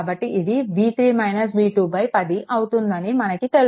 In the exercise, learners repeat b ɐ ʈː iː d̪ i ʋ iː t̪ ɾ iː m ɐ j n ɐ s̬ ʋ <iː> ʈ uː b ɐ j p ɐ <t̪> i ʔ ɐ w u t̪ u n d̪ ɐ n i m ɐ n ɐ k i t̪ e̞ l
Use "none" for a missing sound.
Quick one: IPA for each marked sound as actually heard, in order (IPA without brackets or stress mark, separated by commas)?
iː, d̪